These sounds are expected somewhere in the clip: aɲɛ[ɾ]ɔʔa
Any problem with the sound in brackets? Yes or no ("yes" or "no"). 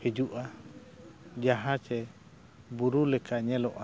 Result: yes